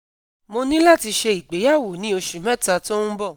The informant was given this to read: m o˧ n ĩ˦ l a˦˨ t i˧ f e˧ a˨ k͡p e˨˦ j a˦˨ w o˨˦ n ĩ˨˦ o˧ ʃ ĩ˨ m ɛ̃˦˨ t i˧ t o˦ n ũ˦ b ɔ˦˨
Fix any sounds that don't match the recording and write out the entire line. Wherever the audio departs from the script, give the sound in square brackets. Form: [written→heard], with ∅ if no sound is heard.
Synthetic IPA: m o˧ n ĩ˦ l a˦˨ t i˧ [f→ʃ] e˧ [a˨→i˨] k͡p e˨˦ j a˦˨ w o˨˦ n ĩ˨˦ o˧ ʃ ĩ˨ m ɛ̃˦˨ t [i˧→a˧] t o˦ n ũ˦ b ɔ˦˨